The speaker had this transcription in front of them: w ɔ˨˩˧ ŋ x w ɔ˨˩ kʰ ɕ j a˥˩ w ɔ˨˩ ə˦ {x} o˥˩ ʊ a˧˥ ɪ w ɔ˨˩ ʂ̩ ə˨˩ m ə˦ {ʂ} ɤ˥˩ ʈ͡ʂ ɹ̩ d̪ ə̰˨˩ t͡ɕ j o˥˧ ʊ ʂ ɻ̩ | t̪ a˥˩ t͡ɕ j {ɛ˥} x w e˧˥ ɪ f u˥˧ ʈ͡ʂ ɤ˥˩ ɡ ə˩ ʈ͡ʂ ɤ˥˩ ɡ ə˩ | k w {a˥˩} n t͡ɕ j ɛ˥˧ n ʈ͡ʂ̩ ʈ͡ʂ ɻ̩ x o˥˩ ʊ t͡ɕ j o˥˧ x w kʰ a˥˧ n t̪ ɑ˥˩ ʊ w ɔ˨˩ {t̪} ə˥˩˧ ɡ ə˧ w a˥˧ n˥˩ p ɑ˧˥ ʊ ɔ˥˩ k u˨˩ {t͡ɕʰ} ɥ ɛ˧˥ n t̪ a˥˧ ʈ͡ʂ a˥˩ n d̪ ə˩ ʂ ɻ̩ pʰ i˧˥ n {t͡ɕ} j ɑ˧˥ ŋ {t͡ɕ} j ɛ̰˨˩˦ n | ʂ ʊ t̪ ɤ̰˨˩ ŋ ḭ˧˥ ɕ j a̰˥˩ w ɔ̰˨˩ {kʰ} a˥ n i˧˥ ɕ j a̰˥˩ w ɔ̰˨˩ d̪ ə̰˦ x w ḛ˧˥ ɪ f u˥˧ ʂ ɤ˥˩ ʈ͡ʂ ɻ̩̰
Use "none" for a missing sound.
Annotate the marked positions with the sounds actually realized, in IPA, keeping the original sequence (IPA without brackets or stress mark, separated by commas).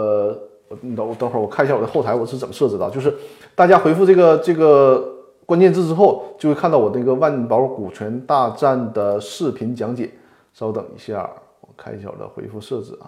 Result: x, ʂ, a˥, a˥, d̪, t͡ɕʰ, t͡ɕ, t͡ɕ, kʰ